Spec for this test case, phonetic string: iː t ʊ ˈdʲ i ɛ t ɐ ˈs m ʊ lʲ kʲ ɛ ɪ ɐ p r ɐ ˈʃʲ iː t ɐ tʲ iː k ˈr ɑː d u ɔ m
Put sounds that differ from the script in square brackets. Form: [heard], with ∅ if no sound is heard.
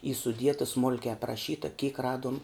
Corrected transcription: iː [s] ʊ ˈdʲ i ɛ t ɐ ˈs m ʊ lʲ kʲ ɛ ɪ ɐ p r ɐ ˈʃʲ iː t ɐ [kʲ] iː k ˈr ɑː d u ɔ m